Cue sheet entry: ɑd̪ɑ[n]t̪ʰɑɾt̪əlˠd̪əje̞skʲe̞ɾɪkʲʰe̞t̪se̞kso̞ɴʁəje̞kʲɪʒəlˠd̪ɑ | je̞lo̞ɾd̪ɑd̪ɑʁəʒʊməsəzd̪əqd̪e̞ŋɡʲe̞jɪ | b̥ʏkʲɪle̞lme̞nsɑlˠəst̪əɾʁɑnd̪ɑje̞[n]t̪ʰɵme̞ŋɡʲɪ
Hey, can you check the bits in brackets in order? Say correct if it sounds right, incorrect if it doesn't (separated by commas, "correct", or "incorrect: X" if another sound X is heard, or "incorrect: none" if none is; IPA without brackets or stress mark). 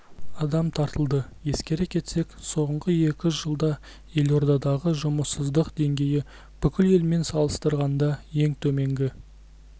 incorrect: m, incorrect: ŋ